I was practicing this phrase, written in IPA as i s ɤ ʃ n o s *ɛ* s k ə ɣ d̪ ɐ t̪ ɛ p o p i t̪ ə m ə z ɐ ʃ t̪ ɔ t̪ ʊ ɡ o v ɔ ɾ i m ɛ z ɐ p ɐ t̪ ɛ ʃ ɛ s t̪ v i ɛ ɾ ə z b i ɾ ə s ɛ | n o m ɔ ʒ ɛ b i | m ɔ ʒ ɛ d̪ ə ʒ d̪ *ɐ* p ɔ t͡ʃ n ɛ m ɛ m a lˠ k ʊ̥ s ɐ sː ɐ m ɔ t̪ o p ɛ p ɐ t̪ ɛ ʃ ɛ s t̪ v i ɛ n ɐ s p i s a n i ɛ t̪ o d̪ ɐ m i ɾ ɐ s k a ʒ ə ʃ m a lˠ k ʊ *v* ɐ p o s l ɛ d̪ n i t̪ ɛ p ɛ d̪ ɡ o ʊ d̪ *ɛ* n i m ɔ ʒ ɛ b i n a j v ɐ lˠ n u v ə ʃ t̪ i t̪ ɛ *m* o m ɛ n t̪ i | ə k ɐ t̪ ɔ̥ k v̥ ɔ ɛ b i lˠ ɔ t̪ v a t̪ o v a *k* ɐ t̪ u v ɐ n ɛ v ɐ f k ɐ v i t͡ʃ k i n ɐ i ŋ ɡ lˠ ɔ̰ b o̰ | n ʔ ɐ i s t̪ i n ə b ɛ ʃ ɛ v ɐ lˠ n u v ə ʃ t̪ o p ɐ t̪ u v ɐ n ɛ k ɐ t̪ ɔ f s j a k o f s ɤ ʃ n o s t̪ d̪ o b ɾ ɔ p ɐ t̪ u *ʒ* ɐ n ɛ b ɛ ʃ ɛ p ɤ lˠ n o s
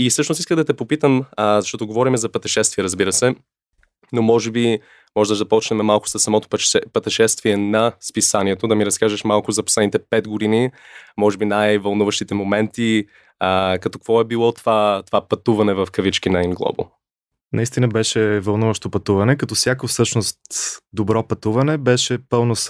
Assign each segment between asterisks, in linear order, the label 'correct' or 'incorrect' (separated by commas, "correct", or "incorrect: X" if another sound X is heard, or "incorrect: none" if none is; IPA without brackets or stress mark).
incorrect: i, correct, incorrect: z, incorrect: i, correct, incorrect: p, incorrect: v